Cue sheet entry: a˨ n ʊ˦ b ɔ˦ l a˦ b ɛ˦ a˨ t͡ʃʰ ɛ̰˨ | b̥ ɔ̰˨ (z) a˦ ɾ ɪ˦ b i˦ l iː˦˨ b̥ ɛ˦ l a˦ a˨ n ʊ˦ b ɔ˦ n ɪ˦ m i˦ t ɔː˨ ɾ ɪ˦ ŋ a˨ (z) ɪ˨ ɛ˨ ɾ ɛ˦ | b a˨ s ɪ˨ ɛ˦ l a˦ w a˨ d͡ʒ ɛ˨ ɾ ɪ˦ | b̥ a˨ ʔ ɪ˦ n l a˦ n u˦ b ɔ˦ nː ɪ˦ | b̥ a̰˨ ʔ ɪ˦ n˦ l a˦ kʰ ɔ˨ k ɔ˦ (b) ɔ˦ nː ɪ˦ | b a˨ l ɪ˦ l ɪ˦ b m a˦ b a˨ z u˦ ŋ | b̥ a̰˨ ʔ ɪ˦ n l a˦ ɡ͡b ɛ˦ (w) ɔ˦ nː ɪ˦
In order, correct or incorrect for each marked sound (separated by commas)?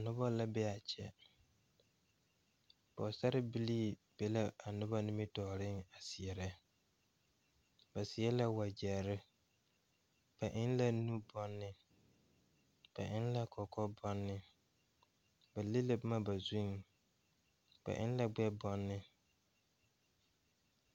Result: incorrect, incorrect, correct, incorrect